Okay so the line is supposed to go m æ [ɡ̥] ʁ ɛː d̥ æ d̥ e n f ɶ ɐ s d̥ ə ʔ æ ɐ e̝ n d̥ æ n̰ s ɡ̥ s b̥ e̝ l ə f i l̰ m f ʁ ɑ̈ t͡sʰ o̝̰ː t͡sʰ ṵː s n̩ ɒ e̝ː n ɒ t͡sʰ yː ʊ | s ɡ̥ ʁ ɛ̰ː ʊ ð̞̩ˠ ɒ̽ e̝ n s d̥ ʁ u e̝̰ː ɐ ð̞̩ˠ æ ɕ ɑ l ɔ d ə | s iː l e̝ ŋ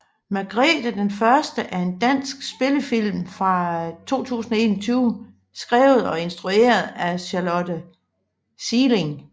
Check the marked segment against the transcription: correct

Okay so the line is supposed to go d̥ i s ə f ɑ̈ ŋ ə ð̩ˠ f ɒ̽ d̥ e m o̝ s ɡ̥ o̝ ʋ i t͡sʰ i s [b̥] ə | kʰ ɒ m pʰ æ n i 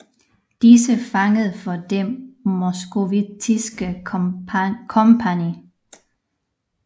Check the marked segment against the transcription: incorrect: ɡ̥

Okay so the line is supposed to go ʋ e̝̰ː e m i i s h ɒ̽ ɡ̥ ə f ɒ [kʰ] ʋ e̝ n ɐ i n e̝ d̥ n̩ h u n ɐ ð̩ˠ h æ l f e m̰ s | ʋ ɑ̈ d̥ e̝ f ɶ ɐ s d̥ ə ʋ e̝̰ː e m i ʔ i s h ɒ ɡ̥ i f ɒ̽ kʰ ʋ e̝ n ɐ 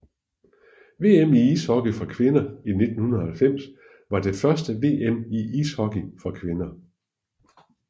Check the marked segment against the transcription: correct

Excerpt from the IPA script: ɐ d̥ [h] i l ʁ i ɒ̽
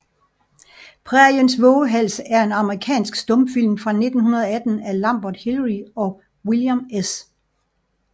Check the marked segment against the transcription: correct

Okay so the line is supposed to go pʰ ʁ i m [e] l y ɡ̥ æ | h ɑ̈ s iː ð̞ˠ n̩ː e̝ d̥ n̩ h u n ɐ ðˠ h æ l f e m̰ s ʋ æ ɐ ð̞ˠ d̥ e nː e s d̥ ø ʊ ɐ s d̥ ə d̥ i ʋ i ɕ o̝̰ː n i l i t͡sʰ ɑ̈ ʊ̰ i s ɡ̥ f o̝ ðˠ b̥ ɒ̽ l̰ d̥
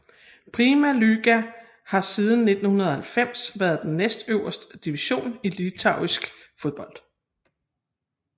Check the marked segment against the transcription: incorrect: æ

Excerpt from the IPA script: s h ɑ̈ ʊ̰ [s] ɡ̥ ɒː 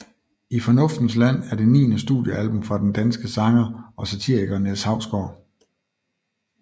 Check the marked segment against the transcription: correct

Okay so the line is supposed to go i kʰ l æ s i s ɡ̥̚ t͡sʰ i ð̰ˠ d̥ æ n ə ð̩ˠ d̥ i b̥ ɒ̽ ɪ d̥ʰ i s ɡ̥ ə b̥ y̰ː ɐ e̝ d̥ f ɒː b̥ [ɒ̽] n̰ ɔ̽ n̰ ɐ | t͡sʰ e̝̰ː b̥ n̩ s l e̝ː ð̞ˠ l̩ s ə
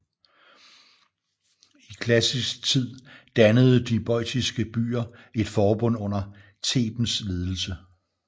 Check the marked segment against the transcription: incorrect: ɔ̽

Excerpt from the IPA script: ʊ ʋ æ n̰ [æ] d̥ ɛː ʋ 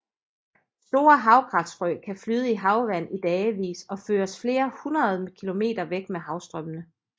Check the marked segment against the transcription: incorrect: i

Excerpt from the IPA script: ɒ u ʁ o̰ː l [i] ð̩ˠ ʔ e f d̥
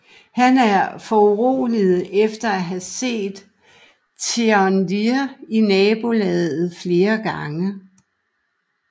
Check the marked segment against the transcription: correct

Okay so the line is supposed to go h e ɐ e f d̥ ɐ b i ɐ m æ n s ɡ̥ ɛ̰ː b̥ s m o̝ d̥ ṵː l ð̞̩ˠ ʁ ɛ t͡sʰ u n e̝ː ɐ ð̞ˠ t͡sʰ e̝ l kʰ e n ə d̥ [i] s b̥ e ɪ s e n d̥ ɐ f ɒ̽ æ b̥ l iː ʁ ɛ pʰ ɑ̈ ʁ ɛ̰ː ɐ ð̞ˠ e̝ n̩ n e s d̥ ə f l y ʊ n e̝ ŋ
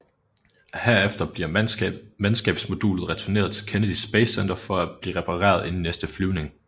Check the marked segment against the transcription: correct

